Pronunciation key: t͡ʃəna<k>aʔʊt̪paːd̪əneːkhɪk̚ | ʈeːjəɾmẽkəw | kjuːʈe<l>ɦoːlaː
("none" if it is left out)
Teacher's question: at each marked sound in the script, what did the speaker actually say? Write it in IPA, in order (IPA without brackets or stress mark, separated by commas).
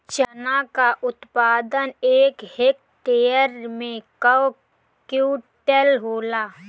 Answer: k, l